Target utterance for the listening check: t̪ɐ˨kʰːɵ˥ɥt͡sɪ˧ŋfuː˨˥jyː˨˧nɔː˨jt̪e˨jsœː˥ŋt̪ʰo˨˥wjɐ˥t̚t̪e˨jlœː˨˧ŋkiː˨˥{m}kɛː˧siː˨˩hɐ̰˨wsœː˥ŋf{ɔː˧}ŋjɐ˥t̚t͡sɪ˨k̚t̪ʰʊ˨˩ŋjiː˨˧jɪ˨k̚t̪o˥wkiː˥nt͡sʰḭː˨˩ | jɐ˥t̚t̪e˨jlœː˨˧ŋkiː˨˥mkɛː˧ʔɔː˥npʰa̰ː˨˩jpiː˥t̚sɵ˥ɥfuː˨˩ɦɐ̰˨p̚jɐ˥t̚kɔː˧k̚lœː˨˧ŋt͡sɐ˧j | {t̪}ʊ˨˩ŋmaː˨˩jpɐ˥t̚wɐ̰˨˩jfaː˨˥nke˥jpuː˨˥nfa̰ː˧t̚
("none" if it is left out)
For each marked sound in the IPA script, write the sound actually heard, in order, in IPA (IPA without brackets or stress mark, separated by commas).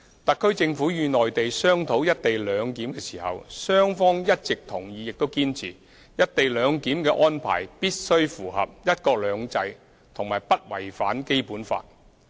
m, ɔː˥, t̪ʰ